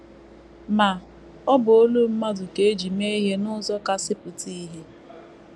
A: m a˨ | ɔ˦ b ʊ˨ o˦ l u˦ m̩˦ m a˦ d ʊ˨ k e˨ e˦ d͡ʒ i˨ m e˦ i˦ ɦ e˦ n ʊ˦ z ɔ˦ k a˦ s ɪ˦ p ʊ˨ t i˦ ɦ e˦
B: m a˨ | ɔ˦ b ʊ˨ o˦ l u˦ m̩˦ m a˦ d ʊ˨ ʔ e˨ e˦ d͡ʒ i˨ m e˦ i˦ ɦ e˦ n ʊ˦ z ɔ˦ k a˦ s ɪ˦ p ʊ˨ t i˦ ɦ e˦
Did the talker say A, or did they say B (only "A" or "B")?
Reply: A